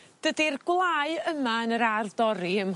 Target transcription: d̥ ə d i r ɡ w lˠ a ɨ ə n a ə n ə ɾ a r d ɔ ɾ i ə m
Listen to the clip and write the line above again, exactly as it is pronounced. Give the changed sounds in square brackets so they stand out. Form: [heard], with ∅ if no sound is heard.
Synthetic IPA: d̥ ə d i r ɡ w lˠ a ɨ ə [m] a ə n ə ɾ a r d ɔ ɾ i ə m